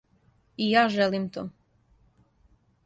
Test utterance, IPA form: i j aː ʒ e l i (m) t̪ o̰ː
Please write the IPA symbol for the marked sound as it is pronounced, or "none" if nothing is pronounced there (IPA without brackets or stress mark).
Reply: m